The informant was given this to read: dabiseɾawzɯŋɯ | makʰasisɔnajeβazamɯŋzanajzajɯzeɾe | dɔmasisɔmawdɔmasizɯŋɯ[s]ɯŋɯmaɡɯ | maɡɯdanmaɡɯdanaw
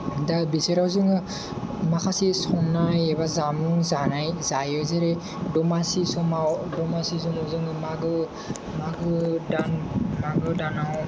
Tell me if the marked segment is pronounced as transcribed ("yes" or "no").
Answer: no